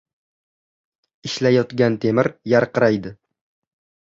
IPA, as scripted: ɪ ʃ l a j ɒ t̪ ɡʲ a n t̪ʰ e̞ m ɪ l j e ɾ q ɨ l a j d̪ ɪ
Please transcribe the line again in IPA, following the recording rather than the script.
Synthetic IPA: ɪ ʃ l a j ɒ t̪ ɡʲ a n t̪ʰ e̞ m ɪ ɾ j a ɾ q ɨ ɾ a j d̪ ɪ

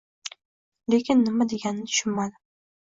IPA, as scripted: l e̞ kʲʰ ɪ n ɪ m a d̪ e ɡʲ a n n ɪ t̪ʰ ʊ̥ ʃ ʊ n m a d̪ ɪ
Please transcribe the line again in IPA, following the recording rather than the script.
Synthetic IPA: l e̞ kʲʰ ɪ nː ɪ m a d̪ e ɡʲ a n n ɪ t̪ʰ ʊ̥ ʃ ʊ n m a d̪ ɪ

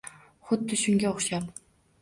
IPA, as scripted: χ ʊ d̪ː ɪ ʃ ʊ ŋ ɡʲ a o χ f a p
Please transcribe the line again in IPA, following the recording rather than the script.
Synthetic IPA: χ ʊ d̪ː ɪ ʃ ʊ ŋ ɡʲ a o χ ʃ a p

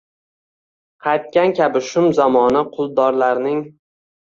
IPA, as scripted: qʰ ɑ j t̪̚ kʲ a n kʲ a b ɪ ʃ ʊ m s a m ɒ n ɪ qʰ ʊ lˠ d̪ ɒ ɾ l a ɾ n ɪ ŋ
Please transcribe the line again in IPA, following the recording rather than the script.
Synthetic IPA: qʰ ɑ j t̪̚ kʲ a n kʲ a b ɪ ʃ ʊ m z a m ɒ n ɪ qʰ ʊ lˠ d̪ ɒ ɾ l a ɾ n ɪ ŋ

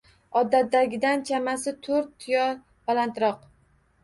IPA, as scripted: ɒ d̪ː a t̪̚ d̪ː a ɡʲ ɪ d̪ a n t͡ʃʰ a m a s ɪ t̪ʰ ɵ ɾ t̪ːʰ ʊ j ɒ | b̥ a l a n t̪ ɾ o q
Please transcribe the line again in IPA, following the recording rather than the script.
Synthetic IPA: ɒ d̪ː a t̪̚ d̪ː a ɡʲ ɪ d̪ a n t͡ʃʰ a m a s ɪ t̪ʰ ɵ ɾ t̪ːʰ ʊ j ɒ | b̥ a l a n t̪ ɾ ɒ q

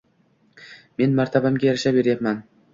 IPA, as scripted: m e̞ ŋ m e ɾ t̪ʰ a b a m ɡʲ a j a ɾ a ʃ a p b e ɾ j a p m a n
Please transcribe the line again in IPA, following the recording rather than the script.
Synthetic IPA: m e̞ n m a ɾ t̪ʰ a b a m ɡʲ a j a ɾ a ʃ a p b e ɾ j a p m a n

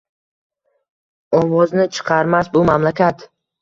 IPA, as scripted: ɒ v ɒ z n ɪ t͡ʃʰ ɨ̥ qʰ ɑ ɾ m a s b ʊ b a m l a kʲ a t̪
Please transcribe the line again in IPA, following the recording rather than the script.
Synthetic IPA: ɒ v ɒ z n ɪ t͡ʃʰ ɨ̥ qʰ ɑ ɾ m a s b ʊ m a m l a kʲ a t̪

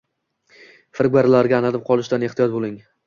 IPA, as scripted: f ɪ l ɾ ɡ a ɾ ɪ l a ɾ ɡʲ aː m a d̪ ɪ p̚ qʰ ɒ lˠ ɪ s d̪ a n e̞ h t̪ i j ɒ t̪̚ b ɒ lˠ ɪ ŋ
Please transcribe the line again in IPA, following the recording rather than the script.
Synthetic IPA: f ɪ ɾ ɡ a ɾ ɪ l a ɾ ɡʲ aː n a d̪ ɪ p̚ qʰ ɒ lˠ ɪ ʃ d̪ a n e̞ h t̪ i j ɒ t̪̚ b o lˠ ɪ ŋ

